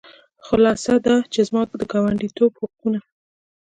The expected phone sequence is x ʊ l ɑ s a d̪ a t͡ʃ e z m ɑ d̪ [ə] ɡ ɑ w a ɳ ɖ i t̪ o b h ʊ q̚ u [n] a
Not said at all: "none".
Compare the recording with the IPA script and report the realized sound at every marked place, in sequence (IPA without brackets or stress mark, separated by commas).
ə, n